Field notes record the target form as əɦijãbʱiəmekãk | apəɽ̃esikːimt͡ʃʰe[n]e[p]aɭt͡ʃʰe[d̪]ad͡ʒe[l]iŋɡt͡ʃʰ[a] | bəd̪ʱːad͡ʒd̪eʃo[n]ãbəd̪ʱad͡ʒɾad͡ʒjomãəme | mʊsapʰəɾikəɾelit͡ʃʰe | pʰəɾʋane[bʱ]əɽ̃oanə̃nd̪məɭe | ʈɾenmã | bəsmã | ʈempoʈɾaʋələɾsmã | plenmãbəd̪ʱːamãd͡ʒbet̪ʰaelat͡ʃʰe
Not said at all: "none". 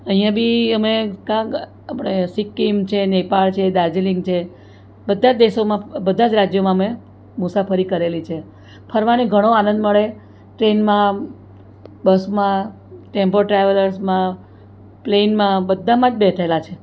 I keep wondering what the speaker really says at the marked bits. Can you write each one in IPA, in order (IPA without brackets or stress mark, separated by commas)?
n, p, d̪, l, e, m, ɡʱ